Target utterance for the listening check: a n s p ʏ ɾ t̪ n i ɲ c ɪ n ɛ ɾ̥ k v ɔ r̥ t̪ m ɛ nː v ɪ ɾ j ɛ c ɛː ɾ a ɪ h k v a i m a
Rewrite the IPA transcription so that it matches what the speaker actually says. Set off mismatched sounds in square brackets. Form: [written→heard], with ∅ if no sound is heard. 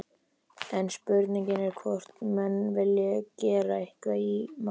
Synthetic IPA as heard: [a→ɛ] n s p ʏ ɾ t̪ n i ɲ c ɪ n ɛ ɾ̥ [k→kʰ] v ɔ r̥ t̪ m ɛ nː v ɪ [ɾ→l] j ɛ c ɛː ɾ a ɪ h k v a i m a